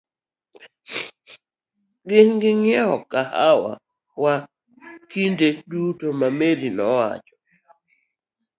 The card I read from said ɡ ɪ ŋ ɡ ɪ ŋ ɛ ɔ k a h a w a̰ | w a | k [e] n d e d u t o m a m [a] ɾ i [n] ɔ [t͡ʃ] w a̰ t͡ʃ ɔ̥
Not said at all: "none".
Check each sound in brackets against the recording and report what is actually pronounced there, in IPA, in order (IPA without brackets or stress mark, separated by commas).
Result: i, e, n, none